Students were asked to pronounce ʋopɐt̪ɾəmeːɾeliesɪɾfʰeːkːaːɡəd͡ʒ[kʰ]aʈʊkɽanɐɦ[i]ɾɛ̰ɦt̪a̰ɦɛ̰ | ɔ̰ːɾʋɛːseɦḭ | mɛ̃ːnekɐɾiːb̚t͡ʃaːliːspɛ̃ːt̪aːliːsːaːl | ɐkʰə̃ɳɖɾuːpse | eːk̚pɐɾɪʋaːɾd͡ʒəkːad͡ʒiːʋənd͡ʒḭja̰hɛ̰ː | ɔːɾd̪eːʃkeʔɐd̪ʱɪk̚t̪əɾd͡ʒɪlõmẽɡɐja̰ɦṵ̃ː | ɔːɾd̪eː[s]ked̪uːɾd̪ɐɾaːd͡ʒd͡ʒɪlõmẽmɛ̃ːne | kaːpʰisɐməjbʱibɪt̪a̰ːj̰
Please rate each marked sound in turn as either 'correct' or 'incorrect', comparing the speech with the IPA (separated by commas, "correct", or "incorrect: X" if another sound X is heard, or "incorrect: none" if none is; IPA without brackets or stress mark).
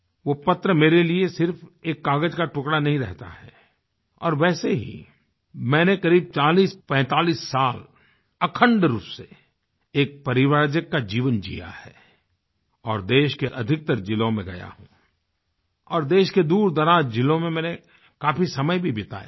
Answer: incorrect: k, incorrect: ĩ, incorrect: ʃ